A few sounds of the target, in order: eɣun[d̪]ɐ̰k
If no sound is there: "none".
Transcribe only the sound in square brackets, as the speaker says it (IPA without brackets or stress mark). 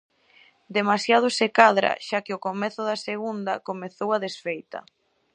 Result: d̪